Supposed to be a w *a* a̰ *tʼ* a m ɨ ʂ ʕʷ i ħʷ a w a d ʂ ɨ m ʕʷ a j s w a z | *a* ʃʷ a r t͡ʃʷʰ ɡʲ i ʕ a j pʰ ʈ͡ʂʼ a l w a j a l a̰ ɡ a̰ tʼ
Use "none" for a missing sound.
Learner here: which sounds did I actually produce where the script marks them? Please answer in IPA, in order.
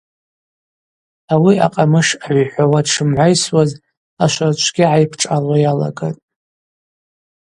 i, qʼ, a

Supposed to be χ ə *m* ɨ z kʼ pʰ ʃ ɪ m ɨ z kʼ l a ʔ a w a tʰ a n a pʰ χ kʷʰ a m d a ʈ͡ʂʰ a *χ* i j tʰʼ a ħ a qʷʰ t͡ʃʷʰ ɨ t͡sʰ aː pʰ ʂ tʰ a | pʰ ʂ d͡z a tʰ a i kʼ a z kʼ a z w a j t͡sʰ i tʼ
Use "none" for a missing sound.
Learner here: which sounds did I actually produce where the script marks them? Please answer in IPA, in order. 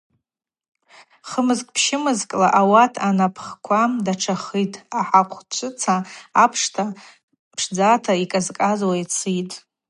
m, χ

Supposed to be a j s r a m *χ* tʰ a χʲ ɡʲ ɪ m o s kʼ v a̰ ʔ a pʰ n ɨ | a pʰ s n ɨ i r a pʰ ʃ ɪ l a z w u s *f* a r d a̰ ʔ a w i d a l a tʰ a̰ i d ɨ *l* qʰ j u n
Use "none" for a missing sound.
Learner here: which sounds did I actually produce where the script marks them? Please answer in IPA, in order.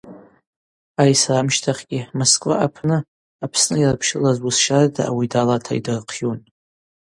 ʃ, ʃ, r

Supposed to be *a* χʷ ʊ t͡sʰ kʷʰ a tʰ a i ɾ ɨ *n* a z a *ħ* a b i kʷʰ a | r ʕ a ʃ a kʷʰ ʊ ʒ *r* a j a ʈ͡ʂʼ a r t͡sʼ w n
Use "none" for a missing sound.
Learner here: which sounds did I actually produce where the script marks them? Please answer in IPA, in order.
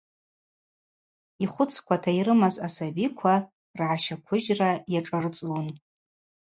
i, m, s, r

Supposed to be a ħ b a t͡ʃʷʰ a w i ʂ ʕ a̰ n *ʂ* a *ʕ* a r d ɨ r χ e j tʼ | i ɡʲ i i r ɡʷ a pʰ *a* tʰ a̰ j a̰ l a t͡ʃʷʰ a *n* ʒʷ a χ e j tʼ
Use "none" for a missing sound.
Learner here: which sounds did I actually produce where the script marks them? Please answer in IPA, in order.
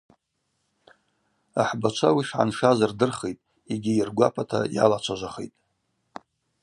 ʂ, z, a, none

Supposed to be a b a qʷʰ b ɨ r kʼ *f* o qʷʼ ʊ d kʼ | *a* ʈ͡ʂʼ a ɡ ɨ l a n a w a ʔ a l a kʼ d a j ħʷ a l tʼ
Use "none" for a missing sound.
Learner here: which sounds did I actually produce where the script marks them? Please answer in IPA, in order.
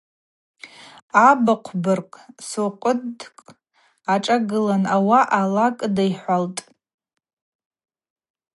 s, a

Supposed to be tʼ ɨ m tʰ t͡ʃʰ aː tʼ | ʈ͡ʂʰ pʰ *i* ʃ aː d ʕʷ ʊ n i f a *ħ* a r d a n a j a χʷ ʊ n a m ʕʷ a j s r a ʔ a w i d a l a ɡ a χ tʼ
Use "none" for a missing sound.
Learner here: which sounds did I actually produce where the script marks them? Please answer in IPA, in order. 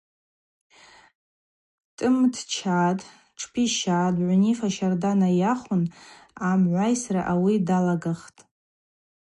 i, ʃ

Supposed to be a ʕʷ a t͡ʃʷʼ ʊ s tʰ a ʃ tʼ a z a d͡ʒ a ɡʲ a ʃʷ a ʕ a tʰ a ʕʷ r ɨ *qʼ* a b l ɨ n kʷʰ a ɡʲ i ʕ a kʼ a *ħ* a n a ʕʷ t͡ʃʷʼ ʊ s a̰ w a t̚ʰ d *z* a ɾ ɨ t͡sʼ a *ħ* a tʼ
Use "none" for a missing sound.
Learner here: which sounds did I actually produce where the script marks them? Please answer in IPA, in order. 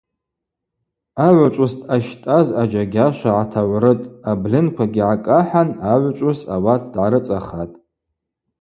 tʼ, ħ, ʕ, χ

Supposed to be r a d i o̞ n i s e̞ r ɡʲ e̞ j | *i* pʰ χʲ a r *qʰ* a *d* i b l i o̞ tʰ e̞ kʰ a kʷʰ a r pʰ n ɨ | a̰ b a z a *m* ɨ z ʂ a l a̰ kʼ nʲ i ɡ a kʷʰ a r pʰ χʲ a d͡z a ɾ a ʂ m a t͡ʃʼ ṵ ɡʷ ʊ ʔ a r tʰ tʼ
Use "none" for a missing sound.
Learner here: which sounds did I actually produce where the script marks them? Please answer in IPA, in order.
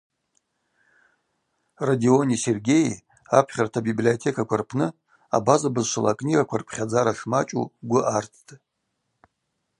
a, tʰ, b, b

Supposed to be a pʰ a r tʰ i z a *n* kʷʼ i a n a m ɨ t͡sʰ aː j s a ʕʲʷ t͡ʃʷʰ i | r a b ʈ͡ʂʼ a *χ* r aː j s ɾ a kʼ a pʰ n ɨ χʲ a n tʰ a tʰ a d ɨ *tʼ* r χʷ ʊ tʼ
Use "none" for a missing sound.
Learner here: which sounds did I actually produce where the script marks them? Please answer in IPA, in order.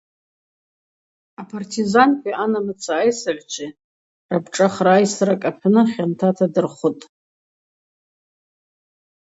n, χ, none

